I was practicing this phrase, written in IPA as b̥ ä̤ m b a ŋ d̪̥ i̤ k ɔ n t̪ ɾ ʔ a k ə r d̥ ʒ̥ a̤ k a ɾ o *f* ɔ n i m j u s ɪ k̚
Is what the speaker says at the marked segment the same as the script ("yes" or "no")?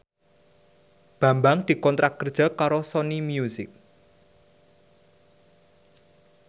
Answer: no